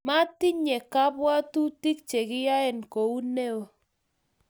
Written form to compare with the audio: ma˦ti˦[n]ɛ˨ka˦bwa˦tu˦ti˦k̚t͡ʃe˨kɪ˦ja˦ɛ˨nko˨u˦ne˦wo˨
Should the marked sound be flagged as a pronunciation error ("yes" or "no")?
yes